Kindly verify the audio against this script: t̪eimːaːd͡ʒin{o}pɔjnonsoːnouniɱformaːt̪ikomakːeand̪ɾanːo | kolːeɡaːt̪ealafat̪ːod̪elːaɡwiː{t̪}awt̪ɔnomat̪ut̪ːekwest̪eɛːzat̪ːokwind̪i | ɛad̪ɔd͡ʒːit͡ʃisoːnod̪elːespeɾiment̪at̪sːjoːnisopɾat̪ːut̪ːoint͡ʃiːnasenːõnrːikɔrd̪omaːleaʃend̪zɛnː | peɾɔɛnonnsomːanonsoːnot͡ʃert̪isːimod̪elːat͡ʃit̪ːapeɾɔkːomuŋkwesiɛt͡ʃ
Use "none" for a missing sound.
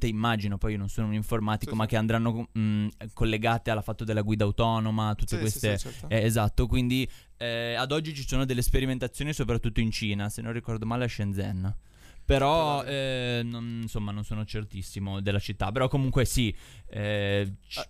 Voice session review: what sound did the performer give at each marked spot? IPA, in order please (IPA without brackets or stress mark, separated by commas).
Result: o, d̪